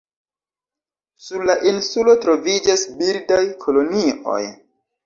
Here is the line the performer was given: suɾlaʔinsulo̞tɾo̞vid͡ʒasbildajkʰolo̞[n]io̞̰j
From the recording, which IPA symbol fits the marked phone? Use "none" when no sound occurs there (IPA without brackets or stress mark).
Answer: n